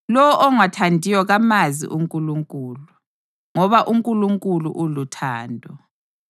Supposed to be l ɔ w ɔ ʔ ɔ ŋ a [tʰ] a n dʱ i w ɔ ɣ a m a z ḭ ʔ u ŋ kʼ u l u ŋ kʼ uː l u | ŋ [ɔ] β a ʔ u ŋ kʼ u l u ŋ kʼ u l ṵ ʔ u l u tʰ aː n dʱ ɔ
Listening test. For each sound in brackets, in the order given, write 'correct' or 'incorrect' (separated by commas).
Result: correct, correct